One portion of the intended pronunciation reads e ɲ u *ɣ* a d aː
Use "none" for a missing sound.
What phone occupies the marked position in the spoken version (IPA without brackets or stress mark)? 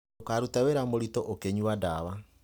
w